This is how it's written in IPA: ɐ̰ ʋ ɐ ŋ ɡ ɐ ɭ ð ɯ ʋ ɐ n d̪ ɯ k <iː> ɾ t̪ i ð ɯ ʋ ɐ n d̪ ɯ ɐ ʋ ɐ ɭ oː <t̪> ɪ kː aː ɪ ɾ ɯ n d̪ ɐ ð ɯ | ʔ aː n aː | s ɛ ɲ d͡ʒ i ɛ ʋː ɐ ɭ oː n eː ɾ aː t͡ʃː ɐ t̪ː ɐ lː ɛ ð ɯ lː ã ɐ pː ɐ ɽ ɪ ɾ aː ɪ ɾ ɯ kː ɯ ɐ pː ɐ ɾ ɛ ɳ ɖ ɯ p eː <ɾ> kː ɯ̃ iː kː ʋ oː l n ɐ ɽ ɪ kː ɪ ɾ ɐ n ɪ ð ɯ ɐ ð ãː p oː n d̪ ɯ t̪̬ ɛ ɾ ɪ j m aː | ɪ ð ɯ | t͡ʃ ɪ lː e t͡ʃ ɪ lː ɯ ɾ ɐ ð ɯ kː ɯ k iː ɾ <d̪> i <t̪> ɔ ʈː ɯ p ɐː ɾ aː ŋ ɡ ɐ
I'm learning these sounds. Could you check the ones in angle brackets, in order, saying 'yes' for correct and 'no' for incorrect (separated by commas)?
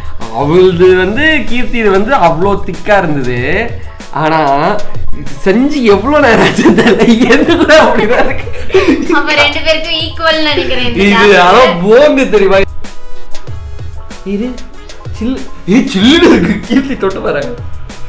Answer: yes, yes, yes, no, yes